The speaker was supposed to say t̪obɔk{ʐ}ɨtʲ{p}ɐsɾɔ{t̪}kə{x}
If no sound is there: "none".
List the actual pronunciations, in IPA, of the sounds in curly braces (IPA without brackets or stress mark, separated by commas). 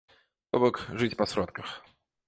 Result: ʐ, p, t̪, x